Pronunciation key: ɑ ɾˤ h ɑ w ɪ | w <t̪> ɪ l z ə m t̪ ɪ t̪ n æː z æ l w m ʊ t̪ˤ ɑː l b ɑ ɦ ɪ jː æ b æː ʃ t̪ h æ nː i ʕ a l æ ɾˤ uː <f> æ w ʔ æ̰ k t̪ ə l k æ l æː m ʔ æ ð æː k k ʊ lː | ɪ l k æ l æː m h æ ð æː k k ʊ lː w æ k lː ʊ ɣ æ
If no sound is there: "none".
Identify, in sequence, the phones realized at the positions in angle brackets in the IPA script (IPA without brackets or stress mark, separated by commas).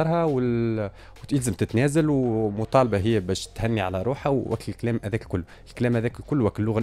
t̪, ħ